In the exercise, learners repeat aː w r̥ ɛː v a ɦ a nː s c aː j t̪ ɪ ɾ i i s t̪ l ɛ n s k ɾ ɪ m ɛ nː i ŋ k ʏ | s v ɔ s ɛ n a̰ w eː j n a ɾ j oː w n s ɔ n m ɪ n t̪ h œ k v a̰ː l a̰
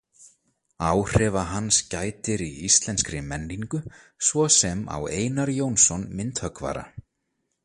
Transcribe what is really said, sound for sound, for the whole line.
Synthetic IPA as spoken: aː w r̥ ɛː v a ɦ a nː s c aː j t̪ ɪ ɾ i i s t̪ l ɛ n s k ɾ ɪ m ɛ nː i ŋ k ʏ | s v ɔ s ɛ m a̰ w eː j n a ɾ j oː w n s ɔ n m ɪ n t̪ h œ k v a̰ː ɾ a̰